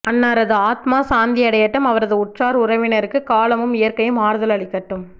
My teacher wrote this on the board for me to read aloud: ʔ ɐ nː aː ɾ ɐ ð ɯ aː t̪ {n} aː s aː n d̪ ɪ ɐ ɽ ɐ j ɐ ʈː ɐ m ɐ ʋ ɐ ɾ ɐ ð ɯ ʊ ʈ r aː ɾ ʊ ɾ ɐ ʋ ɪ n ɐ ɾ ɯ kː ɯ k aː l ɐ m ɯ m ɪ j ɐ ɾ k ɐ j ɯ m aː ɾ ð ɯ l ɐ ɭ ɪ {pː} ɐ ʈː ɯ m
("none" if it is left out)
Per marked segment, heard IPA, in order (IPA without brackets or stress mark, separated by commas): m, kː